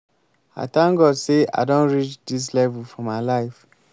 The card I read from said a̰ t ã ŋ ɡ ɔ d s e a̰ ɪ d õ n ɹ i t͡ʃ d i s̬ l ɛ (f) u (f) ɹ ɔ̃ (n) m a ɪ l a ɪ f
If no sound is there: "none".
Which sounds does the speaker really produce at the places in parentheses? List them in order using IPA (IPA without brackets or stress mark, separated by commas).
v, f, none